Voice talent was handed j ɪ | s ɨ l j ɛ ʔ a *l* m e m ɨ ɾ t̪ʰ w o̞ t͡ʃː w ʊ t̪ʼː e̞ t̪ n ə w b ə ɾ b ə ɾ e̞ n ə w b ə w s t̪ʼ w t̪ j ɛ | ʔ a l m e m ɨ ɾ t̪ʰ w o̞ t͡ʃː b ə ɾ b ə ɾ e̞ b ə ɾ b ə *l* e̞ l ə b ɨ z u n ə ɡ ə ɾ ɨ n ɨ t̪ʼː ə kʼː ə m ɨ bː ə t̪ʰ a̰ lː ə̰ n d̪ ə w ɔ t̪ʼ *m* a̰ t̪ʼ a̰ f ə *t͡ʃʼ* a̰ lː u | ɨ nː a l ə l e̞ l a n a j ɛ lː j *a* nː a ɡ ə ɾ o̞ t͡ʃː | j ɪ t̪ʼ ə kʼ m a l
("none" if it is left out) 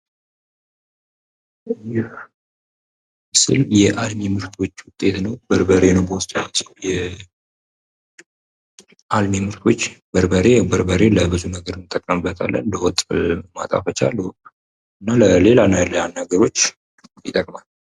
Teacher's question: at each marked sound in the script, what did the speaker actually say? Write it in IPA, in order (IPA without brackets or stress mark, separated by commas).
l, ɾ, m, t͡ʃ, a